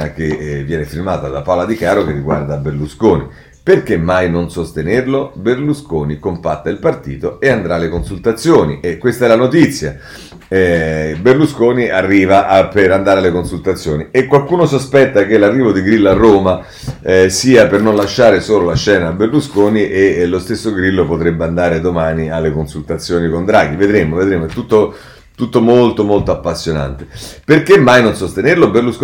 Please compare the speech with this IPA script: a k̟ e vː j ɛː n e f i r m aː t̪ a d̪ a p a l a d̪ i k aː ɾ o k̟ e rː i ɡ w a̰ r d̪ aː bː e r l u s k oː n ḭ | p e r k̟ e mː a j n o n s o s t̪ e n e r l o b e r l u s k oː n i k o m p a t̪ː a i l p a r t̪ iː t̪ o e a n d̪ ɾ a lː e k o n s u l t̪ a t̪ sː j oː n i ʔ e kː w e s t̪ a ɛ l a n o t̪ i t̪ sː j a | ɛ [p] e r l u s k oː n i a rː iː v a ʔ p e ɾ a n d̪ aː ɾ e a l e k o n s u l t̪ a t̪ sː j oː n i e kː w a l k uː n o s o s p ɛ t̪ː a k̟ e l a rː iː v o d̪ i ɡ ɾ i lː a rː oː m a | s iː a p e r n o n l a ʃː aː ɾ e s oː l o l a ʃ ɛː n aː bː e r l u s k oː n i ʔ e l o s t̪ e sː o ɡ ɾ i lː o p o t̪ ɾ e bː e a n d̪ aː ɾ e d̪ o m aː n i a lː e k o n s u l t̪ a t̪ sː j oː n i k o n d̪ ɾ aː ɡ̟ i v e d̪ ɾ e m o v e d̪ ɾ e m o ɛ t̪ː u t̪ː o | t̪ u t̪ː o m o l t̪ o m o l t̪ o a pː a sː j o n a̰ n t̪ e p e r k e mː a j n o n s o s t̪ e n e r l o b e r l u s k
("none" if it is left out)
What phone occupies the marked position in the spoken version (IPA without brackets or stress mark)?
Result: b